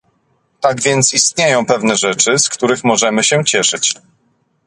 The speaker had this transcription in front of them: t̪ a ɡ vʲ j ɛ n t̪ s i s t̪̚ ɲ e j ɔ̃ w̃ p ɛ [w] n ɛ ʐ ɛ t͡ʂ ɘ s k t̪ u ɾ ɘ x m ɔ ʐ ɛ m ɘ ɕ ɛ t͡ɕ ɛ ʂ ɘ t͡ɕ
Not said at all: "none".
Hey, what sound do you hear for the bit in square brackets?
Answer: v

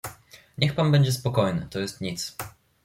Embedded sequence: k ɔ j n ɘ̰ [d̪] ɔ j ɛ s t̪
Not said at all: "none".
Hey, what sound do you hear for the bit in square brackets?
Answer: t̪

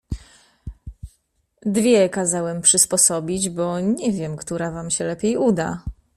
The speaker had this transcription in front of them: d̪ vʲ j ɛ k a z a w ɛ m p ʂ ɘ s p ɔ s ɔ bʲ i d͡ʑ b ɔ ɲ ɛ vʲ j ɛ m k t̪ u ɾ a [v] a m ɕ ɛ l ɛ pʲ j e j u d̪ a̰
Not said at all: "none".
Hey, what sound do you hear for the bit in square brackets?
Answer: v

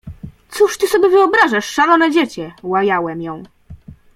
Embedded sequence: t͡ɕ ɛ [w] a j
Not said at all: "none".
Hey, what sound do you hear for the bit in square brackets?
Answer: w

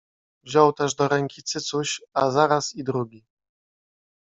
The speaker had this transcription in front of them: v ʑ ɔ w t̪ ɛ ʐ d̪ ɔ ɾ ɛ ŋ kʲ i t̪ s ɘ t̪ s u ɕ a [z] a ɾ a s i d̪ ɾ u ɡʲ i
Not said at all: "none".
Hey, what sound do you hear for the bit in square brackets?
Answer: z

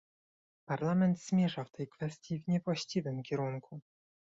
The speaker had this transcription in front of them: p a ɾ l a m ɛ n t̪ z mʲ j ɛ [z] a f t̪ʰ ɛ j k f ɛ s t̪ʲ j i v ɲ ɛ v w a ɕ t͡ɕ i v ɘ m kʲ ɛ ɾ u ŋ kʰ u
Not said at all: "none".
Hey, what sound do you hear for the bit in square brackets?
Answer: ʐ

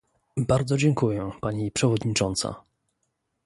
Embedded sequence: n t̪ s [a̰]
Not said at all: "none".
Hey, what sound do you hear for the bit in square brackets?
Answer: a̰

